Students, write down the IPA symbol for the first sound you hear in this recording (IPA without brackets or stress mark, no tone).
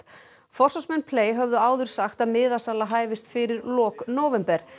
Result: f